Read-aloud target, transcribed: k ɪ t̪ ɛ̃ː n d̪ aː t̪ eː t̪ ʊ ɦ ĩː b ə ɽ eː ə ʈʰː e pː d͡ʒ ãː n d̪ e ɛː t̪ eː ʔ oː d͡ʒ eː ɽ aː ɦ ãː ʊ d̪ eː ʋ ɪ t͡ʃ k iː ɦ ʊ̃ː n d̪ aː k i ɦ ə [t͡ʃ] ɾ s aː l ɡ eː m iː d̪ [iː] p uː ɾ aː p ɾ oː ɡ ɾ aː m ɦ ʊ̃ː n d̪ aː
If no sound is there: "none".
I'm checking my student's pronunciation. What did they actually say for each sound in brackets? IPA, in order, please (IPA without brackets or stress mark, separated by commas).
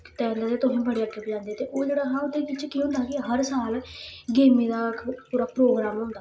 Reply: none, aː